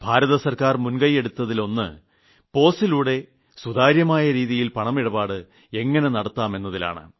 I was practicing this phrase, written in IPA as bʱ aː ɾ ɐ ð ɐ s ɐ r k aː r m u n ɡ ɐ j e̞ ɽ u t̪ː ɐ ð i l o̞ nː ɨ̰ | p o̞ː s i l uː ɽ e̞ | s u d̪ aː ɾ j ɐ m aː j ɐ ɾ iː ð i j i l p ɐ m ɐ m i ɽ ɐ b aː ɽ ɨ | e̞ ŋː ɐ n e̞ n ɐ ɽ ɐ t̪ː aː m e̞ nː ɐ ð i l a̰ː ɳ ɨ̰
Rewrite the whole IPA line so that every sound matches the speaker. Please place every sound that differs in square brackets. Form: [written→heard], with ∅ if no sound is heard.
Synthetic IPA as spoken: bʱ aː ɾ ɐ ð ɐ s ɐ r k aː r m u n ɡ ɐ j e̞ ɽ u t̪ː ɐ ð i l o̞ nː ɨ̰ | p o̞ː s i l uː ɽ e̞ | s u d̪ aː ɾ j ɐ m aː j ɐ ɾ iː ð i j i l p ɐ [m→ɳ] ɐ m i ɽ ɐ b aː ɽ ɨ | e̞ ŋː ɐ n e̞ n ɐ ɽ ɐ t̪ː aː m e̞ nː ɐ ð i l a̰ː ɳ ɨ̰